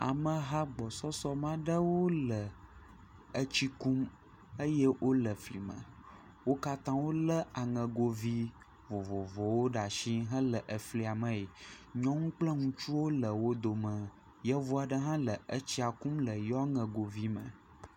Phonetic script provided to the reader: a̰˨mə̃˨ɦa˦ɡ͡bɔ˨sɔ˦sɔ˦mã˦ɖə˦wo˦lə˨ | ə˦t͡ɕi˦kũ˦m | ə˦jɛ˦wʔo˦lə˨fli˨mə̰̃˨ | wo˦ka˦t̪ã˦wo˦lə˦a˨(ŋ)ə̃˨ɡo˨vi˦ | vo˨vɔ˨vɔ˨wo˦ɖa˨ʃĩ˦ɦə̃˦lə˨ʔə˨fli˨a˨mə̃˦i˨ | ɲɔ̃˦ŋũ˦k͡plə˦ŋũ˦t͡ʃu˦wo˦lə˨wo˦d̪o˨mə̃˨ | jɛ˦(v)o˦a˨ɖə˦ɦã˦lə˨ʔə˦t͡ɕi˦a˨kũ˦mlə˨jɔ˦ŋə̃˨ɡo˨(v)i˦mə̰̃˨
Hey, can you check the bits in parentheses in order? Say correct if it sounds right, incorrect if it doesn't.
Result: correct, correct, correct

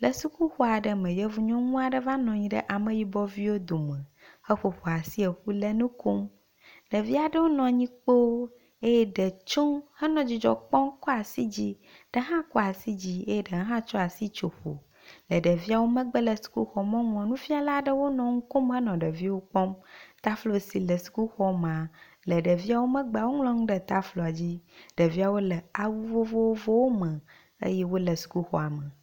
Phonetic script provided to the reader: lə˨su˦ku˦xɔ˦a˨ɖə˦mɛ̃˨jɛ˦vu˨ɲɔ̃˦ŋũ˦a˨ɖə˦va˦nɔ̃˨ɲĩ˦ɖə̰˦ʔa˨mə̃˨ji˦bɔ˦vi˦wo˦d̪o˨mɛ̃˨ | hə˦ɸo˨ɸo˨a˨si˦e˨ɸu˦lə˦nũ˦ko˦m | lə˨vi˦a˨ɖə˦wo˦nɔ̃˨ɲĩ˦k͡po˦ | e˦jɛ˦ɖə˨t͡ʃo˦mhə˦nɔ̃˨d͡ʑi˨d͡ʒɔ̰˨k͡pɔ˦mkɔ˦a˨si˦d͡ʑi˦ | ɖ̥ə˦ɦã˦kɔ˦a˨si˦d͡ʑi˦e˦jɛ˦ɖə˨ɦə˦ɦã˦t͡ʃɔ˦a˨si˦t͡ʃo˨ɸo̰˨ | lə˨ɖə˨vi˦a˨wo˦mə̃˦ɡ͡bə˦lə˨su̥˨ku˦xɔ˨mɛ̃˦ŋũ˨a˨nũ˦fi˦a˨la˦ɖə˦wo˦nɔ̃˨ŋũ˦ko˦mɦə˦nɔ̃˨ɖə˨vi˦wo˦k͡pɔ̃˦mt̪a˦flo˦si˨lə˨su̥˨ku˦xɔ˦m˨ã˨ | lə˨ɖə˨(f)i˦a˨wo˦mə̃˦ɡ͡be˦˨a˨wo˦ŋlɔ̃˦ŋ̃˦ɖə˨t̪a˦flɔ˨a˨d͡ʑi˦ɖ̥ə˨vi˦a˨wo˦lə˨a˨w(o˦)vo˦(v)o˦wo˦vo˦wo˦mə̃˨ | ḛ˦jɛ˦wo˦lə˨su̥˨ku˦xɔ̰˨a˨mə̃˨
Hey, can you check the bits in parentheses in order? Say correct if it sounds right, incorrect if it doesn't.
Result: incorrect: v, incorrect: u˦, correct

